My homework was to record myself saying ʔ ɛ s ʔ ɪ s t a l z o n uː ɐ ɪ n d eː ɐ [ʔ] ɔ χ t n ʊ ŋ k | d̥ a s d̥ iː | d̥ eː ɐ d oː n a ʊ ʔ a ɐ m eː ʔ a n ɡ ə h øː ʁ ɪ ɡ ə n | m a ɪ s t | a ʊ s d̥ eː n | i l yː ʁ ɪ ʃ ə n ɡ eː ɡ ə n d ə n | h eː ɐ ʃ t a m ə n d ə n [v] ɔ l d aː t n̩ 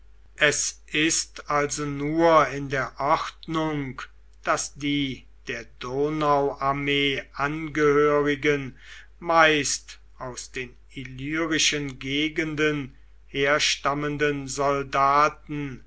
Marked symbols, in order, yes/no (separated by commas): yes, no